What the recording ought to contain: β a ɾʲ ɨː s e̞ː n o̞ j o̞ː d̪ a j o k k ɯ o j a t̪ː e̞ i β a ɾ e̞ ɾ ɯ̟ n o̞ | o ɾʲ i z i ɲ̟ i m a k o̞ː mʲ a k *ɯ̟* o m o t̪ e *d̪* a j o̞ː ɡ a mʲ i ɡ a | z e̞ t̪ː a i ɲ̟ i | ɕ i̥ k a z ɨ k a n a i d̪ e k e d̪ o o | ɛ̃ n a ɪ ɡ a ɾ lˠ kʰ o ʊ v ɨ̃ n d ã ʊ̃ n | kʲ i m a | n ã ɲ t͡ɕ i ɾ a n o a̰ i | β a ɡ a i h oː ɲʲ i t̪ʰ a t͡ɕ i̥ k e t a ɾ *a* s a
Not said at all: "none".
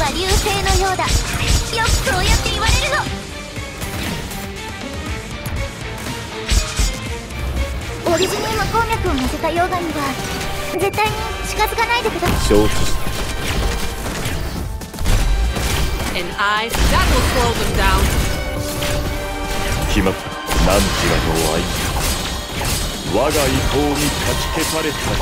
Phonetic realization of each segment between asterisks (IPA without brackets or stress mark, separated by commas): ɯ̟, t̪, e